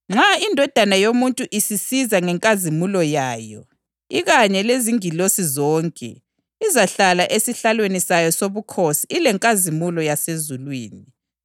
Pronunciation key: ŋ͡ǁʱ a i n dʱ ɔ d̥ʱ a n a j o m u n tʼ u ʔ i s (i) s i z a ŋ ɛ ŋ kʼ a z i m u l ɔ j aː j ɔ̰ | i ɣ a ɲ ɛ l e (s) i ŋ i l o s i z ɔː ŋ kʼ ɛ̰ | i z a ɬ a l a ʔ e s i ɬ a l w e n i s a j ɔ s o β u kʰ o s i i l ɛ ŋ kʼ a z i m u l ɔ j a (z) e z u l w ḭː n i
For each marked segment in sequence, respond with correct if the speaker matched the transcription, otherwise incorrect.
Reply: correct, incorrect: z, incorrect: s

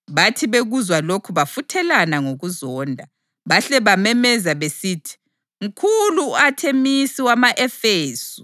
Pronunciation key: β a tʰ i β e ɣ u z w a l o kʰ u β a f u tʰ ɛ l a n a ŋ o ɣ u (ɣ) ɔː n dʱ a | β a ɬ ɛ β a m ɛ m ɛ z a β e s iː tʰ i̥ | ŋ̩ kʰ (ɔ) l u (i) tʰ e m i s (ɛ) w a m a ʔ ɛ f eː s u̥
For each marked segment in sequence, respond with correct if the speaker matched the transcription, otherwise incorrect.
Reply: incorrect: z, incorrect: u, incorrect: a, incorrect: i

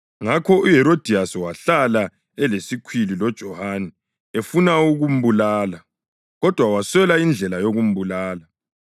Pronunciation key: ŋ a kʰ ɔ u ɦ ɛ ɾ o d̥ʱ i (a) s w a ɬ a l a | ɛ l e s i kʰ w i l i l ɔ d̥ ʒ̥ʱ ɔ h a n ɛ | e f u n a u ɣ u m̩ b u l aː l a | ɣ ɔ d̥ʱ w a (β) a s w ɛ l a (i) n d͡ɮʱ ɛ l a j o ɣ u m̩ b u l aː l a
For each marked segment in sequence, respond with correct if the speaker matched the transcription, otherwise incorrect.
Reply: correct, incorrect: w, correct

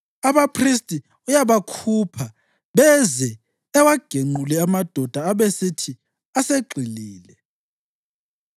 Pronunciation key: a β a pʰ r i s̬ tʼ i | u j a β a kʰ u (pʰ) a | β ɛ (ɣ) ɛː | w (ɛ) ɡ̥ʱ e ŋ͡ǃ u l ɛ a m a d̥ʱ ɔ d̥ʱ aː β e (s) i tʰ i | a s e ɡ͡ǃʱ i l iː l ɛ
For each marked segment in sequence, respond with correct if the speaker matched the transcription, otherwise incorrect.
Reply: correct, incorrect: z, incorrect: a, correct

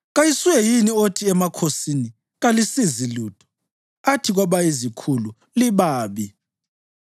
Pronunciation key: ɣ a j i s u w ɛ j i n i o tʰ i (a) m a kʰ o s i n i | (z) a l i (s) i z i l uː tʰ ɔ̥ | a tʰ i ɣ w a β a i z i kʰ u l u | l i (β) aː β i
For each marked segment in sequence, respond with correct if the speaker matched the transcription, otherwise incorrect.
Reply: incorrect: ɛ, incorrect: ɣ, correct, correct

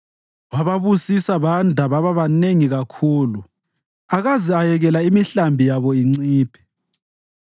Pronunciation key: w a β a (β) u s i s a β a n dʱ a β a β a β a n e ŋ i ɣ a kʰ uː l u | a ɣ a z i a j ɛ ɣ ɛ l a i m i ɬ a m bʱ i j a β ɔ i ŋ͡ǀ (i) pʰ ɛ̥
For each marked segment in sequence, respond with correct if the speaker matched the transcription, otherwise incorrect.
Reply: correct, incorrect: iː

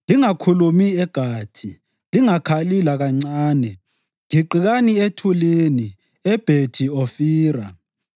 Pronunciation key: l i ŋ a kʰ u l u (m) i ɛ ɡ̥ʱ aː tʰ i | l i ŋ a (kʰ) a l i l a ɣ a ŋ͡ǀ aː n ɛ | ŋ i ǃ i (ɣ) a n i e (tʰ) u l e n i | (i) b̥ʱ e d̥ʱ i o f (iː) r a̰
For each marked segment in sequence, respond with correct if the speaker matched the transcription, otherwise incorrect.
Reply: correct, correct, correct, correct, incorrect: ɛ, correct

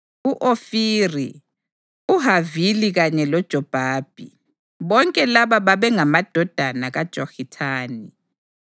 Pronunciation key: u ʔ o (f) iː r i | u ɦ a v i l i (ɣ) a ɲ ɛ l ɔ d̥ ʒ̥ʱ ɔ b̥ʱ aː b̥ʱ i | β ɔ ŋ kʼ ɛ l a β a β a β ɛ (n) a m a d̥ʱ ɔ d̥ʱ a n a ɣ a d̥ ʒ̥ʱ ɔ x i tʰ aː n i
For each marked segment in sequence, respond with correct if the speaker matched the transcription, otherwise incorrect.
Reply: correct, correct, incorrect: ŋ

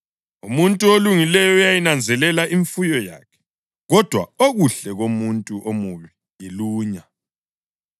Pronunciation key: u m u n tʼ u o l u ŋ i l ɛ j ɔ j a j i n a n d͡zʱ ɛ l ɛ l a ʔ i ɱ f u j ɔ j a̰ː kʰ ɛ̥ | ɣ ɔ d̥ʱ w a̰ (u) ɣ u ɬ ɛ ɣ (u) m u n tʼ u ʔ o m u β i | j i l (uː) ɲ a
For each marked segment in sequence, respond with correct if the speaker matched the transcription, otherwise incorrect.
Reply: incorrect: o, incorrect: o, correct

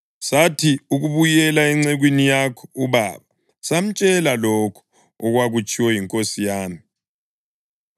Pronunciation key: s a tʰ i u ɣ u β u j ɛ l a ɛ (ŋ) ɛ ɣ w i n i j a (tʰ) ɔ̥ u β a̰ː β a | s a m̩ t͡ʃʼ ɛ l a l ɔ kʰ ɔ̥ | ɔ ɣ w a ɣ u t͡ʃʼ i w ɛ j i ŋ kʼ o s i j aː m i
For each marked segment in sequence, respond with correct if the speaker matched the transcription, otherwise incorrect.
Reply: incorrect: ŋ͡ǀ, incorrect: kʰ

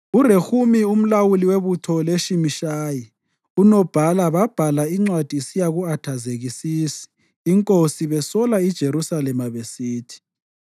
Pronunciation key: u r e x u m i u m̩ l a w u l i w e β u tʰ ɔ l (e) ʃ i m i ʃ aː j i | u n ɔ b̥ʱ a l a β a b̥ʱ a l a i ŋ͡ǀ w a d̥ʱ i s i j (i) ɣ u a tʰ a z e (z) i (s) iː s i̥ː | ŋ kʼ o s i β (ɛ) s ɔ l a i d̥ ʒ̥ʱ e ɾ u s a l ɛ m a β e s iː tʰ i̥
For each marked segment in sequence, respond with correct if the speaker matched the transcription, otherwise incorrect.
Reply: correct, incorrect: a, incorrect: ɣ, correct, correct

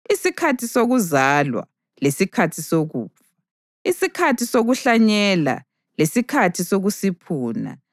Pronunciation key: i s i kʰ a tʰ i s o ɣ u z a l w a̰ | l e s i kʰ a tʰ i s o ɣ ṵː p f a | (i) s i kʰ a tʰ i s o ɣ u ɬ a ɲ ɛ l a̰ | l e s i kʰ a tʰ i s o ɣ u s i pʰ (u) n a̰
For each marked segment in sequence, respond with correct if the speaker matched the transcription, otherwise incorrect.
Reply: correct, incorrect: uː

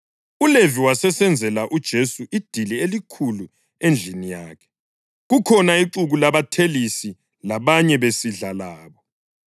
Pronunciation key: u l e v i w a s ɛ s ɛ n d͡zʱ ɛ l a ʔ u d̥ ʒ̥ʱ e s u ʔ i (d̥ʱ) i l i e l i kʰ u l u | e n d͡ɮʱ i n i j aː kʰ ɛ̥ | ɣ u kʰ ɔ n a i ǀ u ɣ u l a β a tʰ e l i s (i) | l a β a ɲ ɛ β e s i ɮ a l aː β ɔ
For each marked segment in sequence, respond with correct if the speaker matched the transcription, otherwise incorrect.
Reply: correct, correct

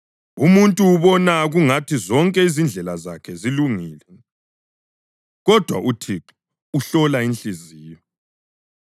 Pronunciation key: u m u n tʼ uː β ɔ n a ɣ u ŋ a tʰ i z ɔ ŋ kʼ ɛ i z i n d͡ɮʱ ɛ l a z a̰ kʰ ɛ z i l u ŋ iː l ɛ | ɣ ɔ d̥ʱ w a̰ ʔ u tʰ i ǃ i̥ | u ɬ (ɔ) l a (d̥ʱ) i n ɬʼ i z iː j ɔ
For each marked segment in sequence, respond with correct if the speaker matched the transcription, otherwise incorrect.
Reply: correct, incorrect: none

